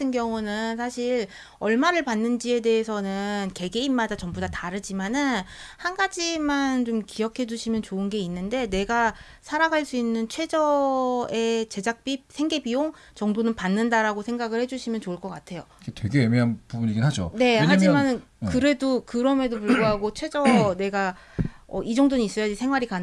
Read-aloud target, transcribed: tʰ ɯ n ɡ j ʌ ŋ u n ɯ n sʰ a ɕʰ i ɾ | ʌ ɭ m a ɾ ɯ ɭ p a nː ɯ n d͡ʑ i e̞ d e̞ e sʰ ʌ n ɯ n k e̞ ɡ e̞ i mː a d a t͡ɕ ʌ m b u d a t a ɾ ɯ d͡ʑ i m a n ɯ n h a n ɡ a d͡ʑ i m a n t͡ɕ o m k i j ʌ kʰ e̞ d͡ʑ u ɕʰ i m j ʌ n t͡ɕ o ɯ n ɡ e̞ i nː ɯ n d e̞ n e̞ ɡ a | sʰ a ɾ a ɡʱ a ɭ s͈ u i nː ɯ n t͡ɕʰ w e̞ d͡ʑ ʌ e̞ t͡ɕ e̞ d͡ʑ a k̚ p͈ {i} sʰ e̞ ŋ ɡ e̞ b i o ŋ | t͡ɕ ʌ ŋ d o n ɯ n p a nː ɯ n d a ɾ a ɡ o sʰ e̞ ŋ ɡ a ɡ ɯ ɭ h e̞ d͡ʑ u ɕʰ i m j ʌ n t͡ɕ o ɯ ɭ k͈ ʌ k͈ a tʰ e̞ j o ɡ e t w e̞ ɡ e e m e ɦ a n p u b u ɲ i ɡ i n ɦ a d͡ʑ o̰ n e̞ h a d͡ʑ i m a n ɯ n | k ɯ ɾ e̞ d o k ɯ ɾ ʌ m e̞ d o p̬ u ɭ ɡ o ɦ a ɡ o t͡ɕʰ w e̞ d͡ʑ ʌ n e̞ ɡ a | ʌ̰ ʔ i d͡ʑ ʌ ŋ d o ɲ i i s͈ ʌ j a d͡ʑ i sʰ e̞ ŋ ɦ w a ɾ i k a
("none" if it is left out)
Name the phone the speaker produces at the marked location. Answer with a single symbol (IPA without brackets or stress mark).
i